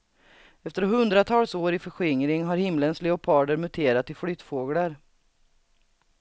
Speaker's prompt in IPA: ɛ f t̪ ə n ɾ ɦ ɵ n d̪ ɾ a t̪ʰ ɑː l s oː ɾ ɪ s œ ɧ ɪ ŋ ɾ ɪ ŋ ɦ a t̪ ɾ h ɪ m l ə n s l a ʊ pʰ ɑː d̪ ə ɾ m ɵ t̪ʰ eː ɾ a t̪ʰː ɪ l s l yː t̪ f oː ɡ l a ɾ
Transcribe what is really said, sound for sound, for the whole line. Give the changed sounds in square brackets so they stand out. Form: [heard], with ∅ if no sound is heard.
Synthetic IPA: ɛ f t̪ ə [∅] ɾ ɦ ɵ n d̪ ɾ a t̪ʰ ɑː l s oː ɾ ɪ [f] œ ɧ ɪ ŋ ɾ ɪ ŋ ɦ a [∅] ɾ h ɪ m l ə n s l [ɛ] ʊ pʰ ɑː d̪ ə ɾ m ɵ t̪ʰ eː ɾ a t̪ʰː ɪ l [f] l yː t̪ f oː ɡ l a ɾ